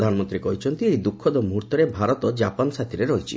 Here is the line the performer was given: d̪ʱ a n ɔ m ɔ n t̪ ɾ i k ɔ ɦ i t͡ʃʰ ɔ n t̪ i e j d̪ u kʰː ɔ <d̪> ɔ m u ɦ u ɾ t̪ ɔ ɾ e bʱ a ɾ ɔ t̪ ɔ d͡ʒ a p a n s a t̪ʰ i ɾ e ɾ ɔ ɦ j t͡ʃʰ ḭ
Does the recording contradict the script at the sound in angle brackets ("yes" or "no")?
no